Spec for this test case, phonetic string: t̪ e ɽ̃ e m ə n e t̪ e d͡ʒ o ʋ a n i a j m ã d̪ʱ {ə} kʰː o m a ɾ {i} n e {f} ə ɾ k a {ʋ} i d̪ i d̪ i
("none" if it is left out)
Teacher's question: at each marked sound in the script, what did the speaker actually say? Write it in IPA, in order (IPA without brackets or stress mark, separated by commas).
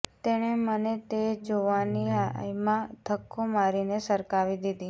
ə, i, s, ʋ